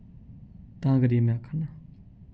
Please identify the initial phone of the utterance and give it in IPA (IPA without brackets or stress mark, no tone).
t̪